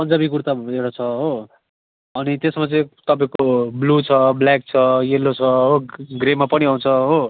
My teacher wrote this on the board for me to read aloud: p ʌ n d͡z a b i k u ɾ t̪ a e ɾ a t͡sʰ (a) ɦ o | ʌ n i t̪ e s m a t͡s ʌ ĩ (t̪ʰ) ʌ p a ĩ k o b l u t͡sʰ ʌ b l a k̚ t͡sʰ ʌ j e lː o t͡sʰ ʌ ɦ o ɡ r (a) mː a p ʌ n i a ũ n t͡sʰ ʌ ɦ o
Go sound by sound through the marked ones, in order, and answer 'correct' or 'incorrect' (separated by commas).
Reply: incorrect, incorrect, incorrect